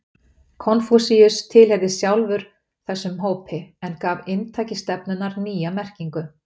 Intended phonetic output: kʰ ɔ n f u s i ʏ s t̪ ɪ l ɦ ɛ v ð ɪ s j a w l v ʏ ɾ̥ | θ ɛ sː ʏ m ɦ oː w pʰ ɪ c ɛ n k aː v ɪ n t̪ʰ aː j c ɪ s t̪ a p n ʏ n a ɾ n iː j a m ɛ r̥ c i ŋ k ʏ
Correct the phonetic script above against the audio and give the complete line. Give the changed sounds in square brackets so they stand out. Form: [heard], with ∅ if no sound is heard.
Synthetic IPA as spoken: kʰ ɔ n f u s i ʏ s [t̪ʰ] ɪ l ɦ ɛ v ð ɪ s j a w l v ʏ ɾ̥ | θ ɛ sː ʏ m ɦ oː w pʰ ɪ [∅] ɛ n k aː v ɪ n t̪ʰ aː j c ɪ s t̪ [ɛ] p n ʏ n a ɾ n iː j a m ɛ r̥ c i ŋ k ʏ